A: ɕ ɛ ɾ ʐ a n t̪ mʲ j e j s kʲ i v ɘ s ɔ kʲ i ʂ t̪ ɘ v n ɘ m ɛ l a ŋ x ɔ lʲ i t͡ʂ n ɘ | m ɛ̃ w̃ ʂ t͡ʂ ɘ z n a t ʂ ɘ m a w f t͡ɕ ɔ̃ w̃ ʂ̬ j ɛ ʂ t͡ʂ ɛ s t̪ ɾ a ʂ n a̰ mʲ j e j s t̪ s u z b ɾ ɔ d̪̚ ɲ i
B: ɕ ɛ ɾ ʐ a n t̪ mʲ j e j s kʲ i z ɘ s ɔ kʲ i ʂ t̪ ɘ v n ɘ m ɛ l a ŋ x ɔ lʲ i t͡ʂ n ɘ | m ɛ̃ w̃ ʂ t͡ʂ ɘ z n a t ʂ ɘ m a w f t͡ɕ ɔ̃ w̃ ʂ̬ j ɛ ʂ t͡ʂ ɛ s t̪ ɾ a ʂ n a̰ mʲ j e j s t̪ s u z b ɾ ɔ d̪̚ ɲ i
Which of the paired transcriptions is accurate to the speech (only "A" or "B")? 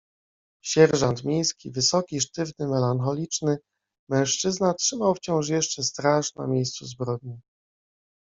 A